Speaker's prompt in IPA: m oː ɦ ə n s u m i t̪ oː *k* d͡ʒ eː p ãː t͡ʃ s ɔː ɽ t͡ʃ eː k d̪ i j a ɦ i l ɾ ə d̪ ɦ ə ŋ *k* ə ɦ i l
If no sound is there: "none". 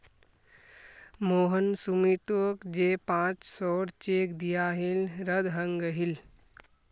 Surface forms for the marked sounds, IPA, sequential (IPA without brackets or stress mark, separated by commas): k, ɡ